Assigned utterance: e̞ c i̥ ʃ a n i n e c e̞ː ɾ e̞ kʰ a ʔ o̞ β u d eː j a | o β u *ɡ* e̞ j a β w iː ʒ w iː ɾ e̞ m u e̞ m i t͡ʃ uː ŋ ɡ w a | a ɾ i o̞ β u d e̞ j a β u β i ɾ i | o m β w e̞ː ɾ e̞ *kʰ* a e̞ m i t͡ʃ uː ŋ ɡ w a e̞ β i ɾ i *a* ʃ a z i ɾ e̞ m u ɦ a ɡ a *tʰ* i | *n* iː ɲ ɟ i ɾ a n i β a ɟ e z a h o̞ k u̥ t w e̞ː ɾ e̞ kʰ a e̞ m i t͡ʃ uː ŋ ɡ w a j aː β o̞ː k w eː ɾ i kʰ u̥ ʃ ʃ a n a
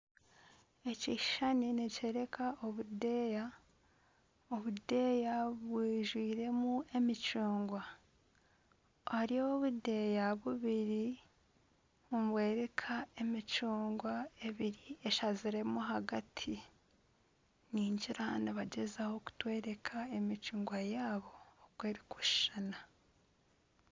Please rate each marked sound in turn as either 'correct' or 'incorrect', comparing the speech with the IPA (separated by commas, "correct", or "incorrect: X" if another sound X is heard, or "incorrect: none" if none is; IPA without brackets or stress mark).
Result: incorrect: d, correct, incorrect: e, correct, correct